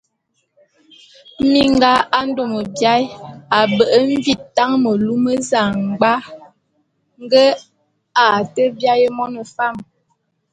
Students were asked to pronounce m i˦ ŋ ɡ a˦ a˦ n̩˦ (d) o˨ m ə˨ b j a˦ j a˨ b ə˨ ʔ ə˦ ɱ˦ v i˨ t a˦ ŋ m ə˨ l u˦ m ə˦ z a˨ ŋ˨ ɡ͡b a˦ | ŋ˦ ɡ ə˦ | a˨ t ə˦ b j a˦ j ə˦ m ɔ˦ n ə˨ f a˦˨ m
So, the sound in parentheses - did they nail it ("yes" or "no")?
yes